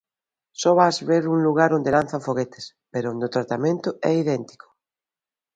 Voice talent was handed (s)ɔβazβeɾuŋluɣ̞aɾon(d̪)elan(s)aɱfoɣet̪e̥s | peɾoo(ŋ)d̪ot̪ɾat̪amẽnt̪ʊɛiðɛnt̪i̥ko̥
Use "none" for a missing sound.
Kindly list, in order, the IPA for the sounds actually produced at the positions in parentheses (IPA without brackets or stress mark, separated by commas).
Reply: s, d̪, θ, n